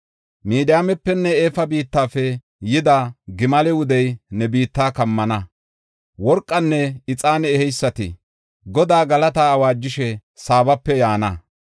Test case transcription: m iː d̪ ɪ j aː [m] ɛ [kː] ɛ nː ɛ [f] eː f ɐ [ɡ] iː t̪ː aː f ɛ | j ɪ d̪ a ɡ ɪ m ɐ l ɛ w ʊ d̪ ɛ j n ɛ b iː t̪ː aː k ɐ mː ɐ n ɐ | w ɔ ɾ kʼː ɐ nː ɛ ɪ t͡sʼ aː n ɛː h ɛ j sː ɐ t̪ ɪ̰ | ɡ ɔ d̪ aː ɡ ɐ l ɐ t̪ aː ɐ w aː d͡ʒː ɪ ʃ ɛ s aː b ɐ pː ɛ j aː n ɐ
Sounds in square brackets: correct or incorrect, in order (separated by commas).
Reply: correct, incorrect, incorrect, incorrect